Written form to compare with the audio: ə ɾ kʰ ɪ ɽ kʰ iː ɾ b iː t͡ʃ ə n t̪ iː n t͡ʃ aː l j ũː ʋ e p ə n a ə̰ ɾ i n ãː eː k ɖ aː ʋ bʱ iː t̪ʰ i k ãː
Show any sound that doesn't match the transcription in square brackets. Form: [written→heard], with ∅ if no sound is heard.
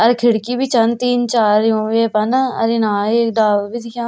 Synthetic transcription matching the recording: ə ɾ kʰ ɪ ɽ [kʰ→k] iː [ɾ→∅] b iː t͡ʃ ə n t̪ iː n t͡ʃ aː [l→ɾ] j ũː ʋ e p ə n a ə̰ ɾ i n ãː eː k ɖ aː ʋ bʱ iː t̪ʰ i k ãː